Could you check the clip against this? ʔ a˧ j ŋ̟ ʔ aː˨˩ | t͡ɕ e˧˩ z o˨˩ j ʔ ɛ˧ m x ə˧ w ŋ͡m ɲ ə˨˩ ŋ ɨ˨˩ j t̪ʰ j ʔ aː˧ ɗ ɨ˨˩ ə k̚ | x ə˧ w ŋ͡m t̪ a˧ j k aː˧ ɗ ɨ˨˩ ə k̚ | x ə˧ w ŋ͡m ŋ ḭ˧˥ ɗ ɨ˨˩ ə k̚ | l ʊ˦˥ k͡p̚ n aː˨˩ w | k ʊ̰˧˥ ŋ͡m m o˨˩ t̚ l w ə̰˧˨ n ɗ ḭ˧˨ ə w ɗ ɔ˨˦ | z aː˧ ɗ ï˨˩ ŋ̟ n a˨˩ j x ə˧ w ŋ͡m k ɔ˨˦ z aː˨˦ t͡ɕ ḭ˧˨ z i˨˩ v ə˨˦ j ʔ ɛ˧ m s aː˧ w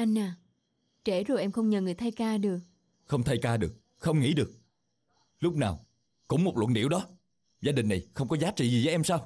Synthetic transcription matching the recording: ʔ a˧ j ŋ̟ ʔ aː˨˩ | t͡ɕ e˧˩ z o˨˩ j ʔ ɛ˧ m x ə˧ w ŋ͡m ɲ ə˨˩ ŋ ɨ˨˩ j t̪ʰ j k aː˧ ɗ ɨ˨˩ ə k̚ | x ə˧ w ŋ͡m t̪ʰ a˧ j k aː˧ ɗ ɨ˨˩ ə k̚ | x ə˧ w ŋ͡m ŋ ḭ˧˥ ɗ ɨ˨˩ ə k̚ | l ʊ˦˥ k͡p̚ n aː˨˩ w | k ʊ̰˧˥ ŋ͡m m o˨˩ t̚ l w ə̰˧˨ n ɗ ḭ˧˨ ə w ɗ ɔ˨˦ | z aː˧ ɗ ï˨˩ ŋ̟ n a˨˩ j x ə˧ w ŋ͡m k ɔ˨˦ z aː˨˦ t͡ɕ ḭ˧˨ z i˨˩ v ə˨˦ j ʔ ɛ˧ m s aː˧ w